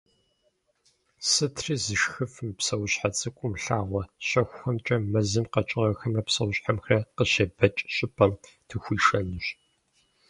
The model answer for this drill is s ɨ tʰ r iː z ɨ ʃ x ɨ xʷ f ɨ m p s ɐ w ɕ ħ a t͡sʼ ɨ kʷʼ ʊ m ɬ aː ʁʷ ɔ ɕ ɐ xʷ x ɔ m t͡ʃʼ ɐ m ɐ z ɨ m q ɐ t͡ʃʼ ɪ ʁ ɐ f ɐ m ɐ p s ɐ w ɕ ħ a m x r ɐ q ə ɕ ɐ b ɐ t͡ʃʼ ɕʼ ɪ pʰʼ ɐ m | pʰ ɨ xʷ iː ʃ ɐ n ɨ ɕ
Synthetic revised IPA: s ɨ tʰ r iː z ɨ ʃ x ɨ f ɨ m p s ɐ w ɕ ħ a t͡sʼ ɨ kʷʼ ʊ m ɬ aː ʁʷ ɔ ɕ ɐ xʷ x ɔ m t͡ʃʼ ɐ m ɐ z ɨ m q ɐ t͡ʃʼ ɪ ʁ ɐ x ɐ m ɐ p s ɐ w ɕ ħ a m x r ɐ q ə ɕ ɐ b ɐ t͡ʃʼ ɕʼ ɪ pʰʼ ɐ m | tʰ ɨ xʷ iː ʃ ɐ n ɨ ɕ